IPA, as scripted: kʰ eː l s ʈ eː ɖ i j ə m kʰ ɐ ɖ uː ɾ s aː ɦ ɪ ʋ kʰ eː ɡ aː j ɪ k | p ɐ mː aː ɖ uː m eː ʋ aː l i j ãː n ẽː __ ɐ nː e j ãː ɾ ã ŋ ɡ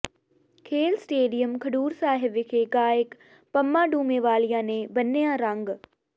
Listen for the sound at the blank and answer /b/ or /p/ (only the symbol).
b